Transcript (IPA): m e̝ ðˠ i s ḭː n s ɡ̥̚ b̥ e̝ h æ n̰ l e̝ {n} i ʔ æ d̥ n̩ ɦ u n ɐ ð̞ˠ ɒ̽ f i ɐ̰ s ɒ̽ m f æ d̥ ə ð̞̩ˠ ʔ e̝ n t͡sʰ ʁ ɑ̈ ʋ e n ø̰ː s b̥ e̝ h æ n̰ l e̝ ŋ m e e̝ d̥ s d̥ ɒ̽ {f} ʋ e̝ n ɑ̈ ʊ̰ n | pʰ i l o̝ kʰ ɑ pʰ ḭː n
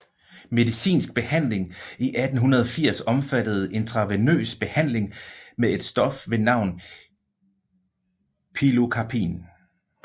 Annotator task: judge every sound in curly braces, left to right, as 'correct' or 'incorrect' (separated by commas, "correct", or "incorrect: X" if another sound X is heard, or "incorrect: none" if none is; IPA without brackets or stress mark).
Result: incorrect: ŋ, correct